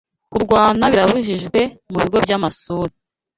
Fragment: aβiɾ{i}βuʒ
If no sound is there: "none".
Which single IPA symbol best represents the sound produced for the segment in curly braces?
a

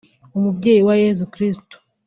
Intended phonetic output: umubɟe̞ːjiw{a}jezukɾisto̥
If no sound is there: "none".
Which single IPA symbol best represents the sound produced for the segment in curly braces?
a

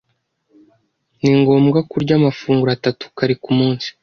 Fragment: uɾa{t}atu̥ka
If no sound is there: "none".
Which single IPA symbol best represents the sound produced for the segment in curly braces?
t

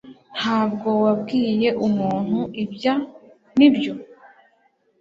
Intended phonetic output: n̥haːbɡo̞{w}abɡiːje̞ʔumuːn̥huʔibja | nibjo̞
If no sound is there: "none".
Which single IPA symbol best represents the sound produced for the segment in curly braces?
w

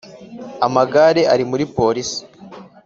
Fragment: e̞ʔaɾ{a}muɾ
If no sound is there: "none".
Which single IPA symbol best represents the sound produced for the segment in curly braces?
i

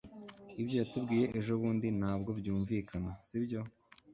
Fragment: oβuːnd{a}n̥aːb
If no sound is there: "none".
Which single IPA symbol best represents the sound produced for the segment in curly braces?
i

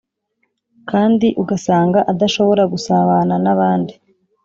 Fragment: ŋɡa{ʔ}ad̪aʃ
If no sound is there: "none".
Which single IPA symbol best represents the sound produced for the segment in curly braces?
ʔ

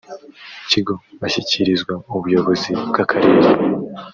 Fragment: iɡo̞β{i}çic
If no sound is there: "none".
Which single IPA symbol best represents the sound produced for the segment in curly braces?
a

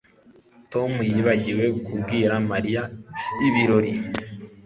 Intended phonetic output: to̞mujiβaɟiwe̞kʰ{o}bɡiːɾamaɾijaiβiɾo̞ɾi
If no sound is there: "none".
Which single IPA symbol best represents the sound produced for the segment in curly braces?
u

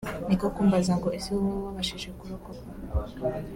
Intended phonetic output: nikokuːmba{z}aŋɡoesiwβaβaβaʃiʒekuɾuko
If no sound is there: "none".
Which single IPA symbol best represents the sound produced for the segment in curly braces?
z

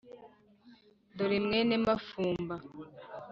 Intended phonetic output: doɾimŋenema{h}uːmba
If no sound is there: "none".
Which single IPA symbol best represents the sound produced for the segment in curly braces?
f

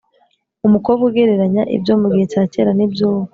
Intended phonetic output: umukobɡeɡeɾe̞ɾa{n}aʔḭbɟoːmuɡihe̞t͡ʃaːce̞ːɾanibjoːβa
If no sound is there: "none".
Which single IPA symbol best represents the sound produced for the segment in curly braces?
ɲ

